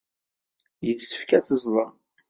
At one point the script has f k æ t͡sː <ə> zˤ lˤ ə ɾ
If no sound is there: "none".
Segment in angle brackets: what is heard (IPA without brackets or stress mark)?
ə